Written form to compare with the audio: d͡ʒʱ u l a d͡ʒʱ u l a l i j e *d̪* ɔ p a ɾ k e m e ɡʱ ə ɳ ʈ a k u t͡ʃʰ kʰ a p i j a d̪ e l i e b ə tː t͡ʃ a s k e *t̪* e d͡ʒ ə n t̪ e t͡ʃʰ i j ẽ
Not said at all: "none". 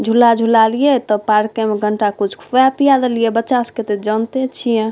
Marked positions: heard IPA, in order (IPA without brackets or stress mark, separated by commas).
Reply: t̪, t̪